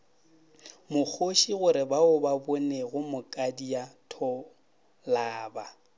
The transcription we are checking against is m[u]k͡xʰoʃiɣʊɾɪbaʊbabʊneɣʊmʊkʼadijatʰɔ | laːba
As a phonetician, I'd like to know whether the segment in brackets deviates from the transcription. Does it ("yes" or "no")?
yes